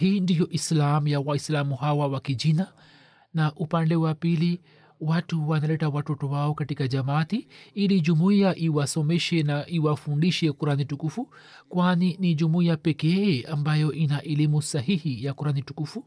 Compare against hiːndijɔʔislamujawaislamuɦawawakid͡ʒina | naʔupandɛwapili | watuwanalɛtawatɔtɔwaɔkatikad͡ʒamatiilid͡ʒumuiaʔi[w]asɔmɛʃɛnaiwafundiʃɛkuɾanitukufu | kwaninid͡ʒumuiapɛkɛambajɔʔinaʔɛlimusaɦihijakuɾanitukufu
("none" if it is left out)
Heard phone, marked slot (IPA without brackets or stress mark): w